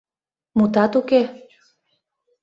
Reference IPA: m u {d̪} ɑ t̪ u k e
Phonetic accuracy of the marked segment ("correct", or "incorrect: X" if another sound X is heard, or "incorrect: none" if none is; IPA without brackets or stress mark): incorrect: t̪